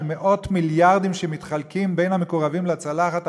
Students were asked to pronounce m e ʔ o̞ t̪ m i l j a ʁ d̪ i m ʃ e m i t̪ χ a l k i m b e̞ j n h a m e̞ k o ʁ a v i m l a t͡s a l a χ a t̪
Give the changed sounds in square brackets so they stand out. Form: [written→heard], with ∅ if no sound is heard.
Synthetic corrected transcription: m e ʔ o̞ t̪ m i l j a ʁ d̪ i m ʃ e m i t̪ χ a l k i m b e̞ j n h a m e̞ k o ʁ a v i m l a t͡s a l a χ a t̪